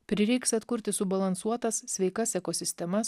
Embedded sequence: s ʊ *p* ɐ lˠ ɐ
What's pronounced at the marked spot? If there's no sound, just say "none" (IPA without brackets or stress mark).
b